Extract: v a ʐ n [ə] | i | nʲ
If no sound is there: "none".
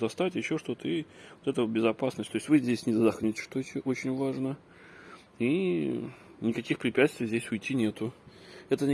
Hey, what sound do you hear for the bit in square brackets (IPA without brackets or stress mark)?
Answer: ə